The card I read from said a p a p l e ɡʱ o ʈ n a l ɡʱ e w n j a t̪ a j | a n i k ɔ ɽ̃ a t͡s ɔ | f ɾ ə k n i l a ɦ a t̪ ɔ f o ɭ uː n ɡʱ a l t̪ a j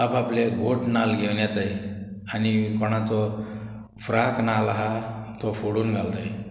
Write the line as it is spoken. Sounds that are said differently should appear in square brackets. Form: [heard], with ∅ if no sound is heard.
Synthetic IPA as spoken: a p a p l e ɡʱ o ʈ n a l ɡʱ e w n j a t̪ a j | a n i k ɔ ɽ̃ a t͡s ɔ | f ɾ [a] k n [a] l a ɦ a t̪ ɔ f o [ɽ] uː n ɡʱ a l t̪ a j